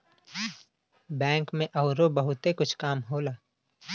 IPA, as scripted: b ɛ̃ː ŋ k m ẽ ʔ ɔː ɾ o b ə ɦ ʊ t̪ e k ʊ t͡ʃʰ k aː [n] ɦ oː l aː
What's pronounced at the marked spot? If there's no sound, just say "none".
m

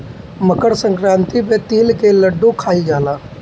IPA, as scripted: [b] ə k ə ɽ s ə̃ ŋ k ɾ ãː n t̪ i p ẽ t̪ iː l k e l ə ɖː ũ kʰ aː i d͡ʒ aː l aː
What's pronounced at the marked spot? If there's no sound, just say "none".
m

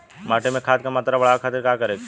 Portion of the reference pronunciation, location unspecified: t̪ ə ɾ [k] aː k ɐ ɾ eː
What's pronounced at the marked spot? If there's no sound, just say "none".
k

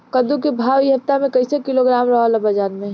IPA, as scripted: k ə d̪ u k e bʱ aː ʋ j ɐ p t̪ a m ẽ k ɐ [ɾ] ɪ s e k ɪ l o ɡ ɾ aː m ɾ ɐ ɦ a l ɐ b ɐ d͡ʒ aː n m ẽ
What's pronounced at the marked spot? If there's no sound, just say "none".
none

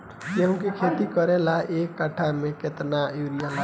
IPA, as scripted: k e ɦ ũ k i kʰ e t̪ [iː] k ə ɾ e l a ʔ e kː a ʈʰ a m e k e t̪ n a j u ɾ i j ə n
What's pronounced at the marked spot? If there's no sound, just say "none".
i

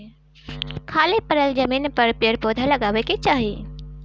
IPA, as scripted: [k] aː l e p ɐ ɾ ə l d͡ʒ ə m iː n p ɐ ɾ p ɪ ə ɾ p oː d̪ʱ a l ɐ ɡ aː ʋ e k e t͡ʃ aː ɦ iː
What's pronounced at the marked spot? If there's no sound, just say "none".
kʰ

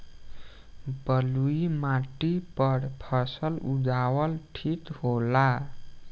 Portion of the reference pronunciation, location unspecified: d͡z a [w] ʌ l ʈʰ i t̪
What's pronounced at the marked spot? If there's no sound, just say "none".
w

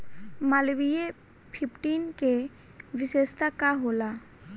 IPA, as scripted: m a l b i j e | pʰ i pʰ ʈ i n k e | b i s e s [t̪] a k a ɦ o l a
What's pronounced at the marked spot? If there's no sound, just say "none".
t̪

